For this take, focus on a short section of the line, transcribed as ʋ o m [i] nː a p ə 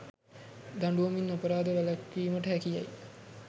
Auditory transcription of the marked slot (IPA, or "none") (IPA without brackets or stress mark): i